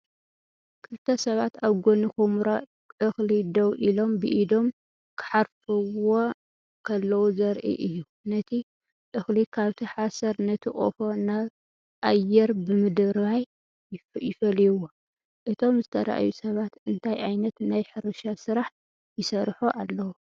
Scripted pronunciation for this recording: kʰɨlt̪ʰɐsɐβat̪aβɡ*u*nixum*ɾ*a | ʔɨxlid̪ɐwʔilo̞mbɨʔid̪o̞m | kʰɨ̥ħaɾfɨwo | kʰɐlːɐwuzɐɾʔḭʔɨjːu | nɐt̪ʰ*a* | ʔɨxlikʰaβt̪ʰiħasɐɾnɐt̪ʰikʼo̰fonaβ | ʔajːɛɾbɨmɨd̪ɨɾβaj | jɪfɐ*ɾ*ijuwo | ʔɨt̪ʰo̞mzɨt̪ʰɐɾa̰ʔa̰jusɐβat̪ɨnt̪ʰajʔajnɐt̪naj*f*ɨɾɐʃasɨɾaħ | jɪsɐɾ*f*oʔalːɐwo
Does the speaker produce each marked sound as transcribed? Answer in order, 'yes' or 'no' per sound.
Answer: no, yes, no, no, no, no

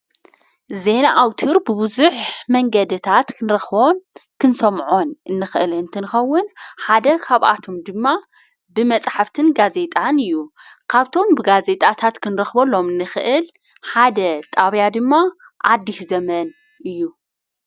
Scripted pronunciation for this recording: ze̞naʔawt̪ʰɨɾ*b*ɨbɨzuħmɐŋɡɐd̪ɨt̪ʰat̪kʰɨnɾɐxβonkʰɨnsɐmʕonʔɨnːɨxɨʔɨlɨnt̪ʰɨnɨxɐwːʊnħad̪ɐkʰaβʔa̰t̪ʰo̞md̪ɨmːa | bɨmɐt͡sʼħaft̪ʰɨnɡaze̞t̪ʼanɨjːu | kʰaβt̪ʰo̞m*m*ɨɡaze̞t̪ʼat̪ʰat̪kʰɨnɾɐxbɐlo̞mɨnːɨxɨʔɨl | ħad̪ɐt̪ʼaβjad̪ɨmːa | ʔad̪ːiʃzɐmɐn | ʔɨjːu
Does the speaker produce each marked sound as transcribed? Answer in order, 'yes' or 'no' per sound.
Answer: yes, no

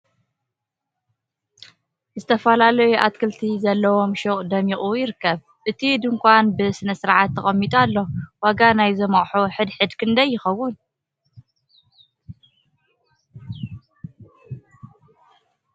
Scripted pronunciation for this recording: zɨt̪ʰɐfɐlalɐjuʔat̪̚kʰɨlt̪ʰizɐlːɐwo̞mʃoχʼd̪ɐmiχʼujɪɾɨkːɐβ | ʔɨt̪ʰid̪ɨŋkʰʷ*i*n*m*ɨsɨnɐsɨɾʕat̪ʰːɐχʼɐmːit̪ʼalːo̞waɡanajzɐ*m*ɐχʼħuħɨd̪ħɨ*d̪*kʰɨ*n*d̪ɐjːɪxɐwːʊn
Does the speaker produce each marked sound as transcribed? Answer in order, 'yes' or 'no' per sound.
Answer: no, no, yes, yes, yes

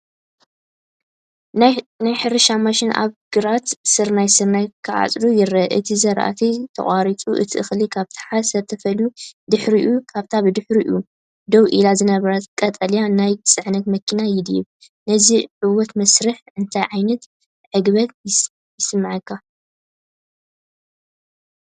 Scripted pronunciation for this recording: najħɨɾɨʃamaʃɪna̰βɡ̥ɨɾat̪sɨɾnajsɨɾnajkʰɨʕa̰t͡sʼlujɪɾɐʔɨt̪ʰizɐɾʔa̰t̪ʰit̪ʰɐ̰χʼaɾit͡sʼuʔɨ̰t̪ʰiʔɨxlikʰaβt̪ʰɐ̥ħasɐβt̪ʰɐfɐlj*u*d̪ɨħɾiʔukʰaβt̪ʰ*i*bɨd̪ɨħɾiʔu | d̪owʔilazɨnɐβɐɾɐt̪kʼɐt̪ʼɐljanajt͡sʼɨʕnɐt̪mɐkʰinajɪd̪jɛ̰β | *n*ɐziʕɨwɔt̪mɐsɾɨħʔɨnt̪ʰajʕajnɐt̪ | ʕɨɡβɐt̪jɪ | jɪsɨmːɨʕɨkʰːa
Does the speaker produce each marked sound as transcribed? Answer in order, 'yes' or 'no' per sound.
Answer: yes, no, yes

